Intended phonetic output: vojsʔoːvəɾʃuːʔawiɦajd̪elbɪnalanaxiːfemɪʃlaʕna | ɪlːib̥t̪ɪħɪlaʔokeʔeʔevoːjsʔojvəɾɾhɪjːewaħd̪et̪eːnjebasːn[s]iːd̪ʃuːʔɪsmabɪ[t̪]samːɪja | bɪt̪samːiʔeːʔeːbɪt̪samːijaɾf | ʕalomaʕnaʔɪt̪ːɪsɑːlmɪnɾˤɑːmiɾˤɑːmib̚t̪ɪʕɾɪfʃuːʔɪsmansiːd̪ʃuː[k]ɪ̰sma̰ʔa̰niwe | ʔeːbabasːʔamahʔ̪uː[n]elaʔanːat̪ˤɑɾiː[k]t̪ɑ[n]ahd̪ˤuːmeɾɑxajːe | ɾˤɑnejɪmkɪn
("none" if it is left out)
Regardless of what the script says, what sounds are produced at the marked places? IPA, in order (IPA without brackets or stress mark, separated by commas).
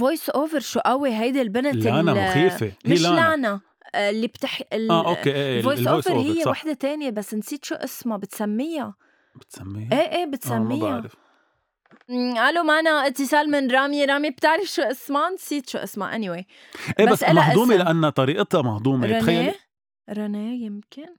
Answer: s, t̪, ʔ, m, ʔ, m